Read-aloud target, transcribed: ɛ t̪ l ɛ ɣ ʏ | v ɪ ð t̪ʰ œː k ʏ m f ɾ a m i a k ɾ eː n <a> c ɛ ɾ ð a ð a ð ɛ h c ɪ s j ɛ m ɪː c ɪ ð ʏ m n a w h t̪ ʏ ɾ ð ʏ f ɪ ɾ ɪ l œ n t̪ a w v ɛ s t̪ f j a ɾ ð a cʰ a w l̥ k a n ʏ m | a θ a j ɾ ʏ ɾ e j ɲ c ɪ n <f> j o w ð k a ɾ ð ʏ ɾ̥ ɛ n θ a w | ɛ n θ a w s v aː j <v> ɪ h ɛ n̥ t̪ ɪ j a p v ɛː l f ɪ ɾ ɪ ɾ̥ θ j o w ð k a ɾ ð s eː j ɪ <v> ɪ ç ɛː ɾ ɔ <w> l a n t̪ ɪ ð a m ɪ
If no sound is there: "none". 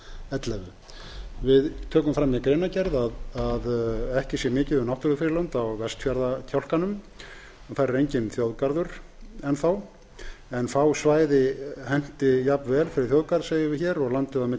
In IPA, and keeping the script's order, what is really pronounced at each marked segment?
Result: a, θ, ð, v, ɣ

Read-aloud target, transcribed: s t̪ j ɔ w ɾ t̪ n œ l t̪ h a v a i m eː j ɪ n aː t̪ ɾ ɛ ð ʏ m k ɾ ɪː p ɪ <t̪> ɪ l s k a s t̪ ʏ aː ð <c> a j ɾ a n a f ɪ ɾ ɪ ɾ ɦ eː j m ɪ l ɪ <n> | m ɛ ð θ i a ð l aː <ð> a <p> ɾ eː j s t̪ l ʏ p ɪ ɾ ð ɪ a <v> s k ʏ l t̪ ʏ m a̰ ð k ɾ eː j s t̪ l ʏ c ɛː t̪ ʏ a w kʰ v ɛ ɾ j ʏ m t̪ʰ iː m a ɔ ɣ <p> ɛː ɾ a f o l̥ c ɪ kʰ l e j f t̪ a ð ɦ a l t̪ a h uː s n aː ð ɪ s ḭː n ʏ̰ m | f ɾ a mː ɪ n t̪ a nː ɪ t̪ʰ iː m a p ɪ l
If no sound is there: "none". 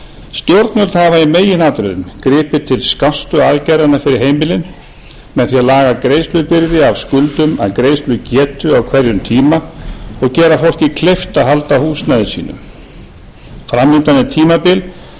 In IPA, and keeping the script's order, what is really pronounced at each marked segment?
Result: t̪ʰ, c, n, ɣ, k, v, c

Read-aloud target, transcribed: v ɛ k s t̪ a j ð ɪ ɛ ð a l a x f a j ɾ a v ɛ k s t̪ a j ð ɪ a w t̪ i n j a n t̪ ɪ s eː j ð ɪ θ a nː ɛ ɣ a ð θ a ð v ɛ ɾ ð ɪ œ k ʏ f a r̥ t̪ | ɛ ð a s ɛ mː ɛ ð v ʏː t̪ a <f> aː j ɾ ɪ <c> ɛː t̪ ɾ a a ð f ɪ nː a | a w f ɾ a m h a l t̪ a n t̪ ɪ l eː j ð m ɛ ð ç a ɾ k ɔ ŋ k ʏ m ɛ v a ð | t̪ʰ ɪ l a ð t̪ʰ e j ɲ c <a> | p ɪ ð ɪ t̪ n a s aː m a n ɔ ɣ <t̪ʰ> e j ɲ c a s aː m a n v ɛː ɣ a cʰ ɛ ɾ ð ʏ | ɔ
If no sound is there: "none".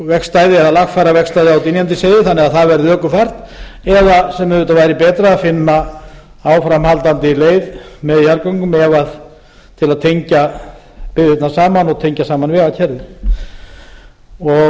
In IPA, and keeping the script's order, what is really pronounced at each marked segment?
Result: v, p, a, t̪ʰ

